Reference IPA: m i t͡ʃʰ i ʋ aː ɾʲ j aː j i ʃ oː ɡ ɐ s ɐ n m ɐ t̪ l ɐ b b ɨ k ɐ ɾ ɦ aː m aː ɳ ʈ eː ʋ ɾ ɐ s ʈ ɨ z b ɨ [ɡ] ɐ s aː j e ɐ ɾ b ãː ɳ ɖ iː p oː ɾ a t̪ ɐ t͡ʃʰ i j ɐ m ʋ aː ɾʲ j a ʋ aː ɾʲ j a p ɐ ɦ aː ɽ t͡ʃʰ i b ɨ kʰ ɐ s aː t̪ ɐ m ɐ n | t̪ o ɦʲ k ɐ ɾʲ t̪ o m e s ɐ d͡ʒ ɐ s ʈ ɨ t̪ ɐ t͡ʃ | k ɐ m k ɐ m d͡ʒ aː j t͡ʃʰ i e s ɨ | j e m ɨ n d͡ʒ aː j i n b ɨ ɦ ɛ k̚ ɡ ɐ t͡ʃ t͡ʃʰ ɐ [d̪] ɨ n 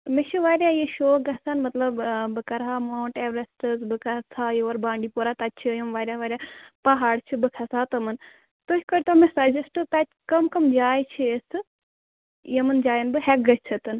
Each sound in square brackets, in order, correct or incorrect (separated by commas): incorrect, incorrect